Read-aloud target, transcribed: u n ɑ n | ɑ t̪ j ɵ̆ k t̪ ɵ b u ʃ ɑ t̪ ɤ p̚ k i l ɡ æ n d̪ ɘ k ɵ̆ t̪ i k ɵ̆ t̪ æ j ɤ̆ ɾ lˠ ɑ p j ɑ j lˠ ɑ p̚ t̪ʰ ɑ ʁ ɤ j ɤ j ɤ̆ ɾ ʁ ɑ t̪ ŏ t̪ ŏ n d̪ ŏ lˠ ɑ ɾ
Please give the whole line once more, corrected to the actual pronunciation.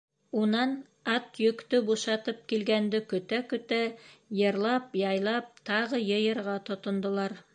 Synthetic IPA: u n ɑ n | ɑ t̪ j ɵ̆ k t̪ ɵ b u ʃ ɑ t̪ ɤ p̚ k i l ɡ æ n d̪ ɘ k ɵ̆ t̪ æ k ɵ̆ t̪ æ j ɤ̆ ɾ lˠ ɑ p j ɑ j lˠ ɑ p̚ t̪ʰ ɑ ʁ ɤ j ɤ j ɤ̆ ɾ ʁ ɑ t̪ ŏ t̪ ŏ n d̪ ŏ lˠ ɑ ɾ

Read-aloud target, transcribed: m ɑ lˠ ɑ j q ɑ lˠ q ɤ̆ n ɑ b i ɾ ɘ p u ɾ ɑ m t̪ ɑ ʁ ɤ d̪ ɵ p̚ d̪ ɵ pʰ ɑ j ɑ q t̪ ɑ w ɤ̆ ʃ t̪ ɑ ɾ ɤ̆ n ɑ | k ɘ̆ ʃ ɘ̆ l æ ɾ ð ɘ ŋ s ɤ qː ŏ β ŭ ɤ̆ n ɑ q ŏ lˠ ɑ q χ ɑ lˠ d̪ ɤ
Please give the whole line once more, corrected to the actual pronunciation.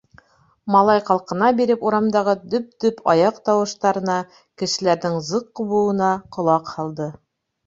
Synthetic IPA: m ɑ lˠ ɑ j q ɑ lˠ q ɤ̆ n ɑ b i ɾ ɘ p u ɾ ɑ m d̪ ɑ ʁ ɤ d̪ ɵ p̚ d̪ ɵ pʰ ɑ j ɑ q t̪ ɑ w ɤ̆ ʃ t̪ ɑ ɾ ɤ̆ n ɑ | k ɘ̆ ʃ ɘ̆ l æ ɾ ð ɘ ŋ z ɤ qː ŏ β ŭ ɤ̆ n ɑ q ŏ lˠ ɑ q h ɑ lˠ d̪ ɤ

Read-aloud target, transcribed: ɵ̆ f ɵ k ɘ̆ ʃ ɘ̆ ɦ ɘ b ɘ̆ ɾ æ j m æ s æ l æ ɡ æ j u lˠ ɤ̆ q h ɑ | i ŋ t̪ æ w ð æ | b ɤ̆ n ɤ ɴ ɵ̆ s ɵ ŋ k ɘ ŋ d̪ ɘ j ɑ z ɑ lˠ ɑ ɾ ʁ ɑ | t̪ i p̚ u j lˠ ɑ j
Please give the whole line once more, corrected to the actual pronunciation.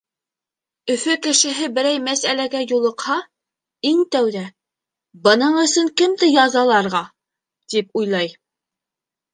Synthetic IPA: ɵ̆ f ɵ k ɘ̆ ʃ ɘ̆ ɦ ɘ b ɘ̆ ɾ æ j m æ s æ l æ ɡ æ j u lˠ ɤ̆ q h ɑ | i ŋ t̪ æ w ð æ | b ɤ̆ n ɤ ɴ ɵ̆ s ɵ ŋ k ɘ m d̪ ɘ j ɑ z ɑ lˠ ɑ ɾ ʁ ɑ | t̪ i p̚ u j lˠ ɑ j

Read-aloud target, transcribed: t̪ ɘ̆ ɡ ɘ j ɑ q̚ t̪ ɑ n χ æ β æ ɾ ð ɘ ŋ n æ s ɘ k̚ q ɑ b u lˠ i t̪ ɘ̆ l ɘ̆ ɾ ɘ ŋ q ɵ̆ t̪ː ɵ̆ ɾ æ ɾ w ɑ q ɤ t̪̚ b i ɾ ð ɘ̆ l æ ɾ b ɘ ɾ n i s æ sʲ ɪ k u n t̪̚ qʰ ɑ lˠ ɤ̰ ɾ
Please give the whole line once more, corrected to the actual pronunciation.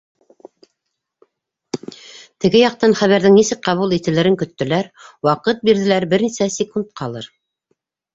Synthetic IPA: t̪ ɘ̆ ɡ ɘ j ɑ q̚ t̪ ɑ n χ æ β æ ɾ ð ɘ ŋ n i s ɘ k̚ q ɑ β u lˠ i t̪ ɘ̆ l ɘ̆ ɾ ɘ ŋ k ɵ̆ t̪ː ɵ̆ l æ ɾ w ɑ q ɤ t̪̚ b i ɾ ð ɘ̆ l æ ɾ b ɘ ɾ n i s æ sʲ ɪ k u n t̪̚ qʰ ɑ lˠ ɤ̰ ɾ

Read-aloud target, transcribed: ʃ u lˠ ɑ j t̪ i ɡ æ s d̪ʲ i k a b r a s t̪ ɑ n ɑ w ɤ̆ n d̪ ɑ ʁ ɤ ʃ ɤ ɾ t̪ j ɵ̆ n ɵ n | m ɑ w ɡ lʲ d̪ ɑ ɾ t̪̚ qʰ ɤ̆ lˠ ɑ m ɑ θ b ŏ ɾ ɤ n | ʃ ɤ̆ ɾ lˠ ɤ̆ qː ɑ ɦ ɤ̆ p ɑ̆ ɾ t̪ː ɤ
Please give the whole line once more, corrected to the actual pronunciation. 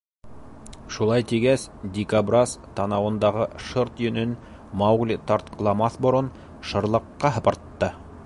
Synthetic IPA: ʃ u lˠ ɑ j t̪ i ɡ æ s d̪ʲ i k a b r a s t̪ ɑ n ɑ w ɤ̆ n d̪ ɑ ʁ ɤ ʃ ɤ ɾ t̪ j ɵ̆ n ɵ n | m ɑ w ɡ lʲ t̪ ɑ ɾ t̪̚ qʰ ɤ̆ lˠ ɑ m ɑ θ b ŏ ɾ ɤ n | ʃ ɤ̆ ɾ lˠ ɤ̆ qː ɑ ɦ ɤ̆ p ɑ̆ ɾ t̪ː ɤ

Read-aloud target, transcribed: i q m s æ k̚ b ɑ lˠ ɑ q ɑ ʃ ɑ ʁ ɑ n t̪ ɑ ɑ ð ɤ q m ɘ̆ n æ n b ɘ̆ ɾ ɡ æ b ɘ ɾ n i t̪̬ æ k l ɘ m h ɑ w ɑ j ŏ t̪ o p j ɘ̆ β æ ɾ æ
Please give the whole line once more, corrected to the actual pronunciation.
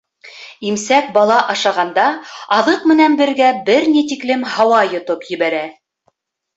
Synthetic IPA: i m s æ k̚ b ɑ lˠ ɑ ʔ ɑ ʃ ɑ ʁ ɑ n d̪ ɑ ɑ ð ɤ q m ɘ̆ n æ n b ɘ̆ ɾ ɡ æ b ɘ ɾ n i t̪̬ i k l ɘ m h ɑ w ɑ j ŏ t̪ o p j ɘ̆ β æ ɾ æ

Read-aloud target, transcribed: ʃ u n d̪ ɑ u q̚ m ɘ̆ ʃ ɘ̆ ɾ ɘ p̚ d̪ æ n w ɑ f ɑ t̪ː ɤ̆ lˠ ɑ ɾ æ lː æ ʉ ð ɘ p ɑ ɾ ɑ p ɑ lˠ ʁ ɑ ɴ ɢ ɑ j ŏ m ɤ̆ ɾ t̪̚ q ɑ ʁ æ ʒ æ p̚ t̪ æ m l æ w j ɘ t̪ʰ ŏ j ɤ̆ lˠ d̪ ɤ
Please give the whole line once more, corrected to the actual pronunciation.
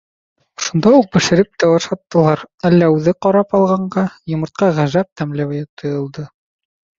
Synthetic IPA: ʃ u n d̪ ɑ u q̚ b ɘ̆ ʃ ɘ̆ ɾ ɘ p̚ t̪ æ w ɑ ʃ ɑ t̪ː ɤ̆ lˠ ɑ ɾ æ lː æ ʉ ð ɘ q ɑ ɾ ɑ p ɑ lˠ ʁ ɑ ɴ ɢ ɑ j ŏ m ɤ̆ ɾ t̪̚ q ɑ ʁ æ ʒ æ p̚ t̪ æ m l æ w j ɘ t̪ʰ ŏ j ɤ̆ lˠ d̪ ɤ

